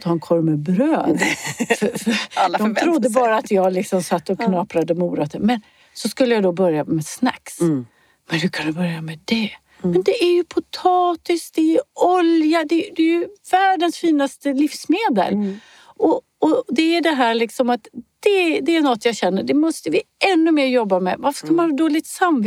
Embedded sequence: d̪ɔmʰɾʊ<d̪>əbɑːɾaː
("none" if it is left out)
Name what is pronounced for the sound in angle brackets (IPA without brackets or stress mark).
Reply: d̪ː